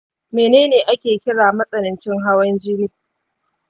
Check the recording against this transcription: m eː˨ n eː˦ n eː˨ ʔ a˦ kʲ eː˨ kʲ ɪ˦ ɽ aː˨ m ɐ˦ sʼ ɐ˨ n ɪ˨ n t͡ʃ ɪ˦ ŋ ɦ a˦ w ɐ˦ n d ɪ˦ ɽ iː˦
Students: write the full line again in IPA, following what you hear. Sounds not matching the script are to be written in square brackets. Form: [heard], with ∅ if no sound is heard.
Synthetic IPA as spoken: m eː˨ n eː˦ n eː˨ ʔ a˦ kʲ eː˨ kʲ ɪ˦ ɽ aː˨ m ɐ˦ sʼ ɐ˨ n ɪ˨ n t͡ʃ ɪ˦ ŋ ɦ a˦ w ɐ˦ n [d͡ʒ] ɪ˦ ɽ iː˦